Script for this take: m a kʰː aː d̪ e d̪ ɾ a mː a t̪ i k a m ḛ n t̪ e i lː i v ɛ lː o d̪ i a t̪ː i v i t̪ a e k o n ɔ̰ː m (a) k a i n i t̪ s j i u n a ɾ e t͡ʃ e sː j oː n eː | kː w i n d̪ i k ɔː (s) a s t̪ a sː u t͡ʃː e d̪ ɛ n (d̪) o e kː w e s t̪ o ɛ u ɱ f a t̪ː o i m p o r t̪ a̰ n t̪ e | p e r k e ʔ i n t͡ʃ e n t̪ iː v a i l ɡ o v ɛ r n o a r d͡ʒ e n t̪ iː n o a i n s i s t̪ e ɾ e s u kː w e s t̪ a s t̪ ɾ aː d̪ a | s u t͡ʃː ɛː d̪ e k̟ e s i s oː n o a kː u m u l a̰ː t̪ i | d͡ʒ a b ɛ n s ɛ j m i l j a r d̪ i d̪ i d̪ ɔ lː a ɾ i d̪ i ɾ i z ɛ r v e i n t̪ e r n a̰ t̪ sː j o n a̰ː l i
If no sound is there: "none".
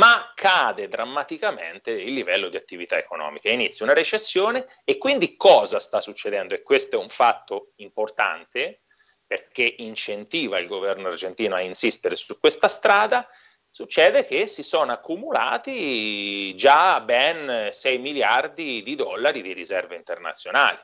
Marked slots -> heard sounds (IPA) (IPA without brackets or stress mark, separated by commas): i, z, d̪